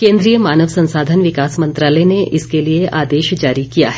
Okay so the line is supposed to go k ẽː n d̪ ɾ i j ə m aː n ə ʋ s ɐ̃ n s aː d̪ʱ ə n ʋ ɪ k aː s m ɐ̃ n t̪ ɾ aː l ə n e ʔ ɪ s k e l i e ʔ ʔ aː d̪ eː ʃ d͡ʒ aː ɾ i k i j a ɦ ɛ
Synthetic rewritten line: k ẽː n d̪ ɾ i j ə m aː n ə ʋ s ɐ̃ n s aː d̪ʱ ə n ʋ ɪ k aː s m ɐ̃ n t̪ ɾ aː l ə n e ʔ ɪ s k e l i e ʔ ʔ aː d̪ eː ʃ d͡ʒ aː ɾ i k i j a ɦ ɛ

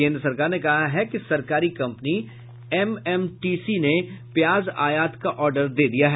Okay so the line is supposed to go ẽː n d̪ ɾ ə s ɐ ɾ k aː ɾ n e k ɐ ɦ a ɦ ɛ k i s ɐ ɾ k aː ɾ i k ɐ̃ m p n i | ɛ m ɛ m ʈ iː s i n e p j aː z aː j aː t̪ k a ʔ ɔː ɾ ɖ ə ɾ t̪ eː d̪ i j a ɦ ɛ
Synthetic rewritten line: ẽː n d̪ ɾ ə s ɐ ɾ k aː ɾ n e k ɐ ɦ a ɦ ɛ k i s ɐ ɾ k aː ɾ i k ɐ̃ m p n i | ɛ m ɛ m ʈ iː s i n e p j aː z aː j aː t̪ k a ʔ ɔː ɾ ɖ ə ɾ d̪ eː d̪ i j a ɦ ɛ

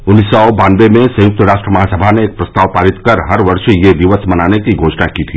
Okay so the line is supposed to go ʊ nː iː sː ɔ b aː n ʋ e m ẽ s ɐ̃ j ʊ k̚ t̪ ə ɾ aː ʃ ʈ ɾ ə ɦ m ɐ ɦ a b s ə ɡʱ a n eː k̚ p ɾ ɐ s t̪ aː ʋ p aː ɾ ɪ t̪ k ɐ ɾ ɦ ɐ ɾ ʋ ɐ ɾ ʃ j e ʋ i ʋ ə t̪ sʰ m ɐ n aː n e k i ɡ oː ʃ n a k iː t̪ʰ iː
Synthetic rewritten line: ʊ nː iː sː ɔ b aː n ʋ e m ẽ s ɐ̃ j ʊ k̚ t̪ ə ɾ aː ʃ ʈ ɾ ə m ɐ ɦ a s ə bʱ a n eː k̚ p ɾ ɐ s t̪ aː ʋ p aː ɾ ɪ t̪ k ɐ ɾ ɦ ɐ ɾ ʋ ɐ ɾ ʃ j e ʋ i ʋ ə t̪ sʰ m ɐ n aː n e k i ɡ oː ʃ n a k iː t̪ʰ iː

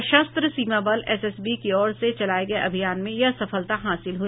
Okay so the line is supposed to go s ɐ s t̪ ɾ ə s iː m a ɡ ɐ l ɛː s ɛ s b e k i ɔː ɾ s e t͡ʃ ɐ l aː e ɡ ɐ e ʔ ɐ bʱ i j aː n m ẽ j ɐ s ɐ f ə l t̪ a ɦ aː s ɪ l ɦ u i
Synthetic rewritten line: ʃ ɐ s t̪ ɾ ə s iː m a b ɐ l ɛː s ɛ s b i k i ɔː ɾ s e t͡ʃ ɐ l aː e ɡ ɐ e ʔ ɐ bʱ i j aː n m ẽ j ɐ s ɐ f ə l t̪ a ɦ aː s ɪ l ɦ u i

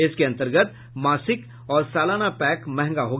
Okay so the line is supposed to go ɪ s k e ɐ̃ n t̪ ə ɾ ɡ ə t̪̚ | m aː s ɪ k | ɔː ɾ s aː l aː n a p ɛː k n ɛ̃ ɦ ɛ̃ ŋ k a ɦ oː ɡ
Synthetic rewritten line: ɪ s k e ɐ̃ n t̪ ə ɾ ɡ ə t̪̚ | m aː s ɪ k | ɔː ɾ s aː l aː n a p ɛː k m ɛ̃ ɦ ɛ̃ ŋ ɡ a ɦ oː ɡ

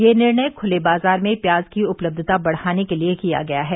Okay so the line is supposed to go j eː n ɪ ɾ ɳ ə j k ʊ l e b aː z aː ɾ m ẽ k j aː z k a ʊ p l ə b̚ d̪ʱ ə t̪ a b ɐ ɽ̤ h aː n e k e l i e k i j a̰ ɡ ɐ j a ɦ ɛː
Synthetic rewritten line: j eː n ɪ ɾ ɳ ə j kʰ ʊ l e b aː z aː ɾ m ẽ p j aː z k i ʊ p l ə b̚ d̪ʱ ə t̪ a b ɐ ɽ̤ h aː n e k e l i e k i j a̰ ɡ ɐ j a ɦ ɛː

